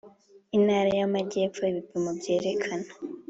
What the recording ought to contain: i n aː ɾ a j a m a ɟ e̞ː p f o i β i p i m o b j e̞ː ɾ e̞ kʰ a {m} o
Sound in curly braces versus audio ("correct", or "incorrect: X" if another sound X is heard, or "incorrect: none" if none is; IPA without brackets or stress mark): incorrect: n